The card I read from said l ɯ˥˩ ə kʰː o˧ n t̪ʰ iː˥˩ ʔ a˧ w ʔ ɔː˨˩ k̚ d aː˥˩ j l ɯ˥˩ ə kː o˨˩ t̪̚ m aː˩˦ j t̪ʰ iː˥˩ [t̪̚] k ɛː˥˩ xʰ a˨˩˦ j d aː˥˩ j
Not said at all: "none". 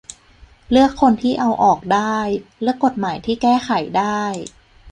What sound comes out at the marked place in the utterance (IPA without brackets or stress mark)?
none